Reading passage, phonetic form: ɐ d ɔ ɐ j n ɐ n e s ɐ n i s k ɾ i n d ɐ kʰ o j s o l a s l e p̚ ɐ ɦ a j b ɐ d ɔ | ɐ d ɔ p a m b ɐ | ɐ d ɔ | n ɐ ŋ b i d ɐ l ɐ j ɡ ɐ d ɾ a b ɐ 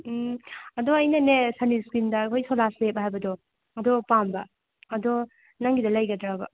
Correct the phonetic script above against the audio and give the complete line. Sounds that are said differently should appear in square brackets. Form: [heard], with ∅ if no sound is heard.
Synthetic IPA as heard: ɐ d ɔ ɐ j n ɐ n e s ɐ n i s k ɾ i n d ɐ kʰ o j s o l a s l e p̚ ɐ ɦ a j b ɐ d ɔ | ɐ d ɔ p a m b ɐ | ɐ d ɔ | n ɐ ŋ [ɡ] i d ɐ l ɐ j ɡ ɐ d ɾ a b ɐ